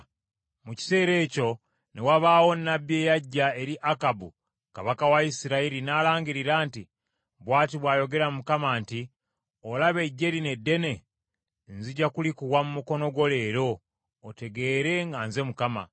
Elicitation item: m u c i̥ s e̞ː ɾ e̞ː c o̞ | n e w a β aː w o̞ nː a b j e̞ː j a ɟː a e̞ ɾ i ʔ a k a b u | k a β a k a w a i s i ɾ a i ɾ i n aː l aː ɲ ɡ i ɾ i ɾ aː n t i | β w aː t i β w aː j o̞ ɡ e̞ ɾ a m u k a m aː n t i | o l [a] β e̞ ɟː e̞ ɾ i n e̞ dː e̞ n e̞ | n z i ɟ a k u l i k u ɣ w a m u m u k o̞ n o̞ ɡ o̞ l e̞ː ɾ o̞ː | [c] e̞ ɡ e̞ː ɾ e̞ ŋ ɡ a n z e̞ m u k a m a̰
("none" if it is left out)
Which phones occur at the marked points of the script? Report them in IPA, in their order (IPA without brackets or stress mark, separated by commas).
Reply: a, t